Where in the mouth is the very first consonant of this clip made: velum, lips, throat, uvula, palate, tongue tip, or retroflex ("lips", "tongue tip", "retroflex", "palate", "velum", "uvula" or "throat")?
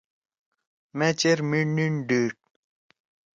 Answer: lips